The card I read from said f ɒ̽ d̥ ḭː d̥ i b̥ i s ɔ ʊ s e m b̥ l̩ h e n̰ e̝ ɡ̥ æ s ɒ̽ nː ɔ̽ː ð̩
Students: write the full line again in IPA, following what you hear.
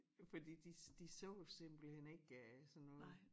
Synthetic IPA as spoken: f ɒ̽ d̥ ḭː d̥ i d̥ i s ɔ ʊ s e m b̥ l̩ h e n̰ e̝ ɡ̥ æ s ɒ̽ nː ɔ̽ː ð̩